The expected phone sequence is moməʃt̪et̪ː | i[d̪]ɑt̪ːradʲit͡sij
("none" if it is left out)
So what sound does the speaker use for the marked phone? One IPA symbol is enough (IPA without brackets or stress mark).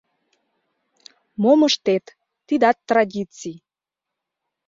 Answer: d̪